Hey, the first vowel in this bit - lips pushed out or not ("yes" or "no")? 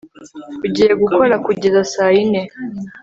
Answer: yes